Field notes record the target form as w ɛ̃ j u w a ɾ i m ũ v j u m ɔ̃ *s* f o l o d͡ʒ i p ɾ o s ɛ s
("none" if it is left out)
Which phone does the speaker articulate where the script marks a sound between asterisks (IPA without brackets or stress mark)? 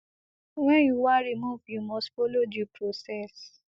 s